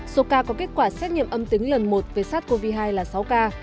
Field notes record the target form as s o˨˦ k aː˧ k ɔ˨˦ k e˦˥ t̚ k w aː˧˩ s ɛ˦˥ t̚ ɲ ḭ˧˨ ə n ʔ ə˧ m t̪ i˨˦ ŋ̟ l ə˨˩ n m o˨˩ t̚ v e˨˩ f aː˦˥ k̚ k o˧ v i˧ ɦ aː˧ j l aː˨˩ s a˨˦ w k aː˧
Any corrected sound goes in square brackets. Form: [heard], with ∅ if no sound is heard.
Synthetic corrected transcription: s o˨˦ k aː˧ k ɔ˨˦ k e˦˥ t̚ k w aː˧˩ s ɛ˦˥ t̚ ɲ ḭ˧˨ ə [m] ʔ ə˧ m t̪ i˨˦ ŋ̟ l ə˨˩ n m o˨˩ t̚ v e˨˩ [s] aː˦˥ [t̚] k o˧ v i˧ ɦ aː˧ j l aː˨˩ s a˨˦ w k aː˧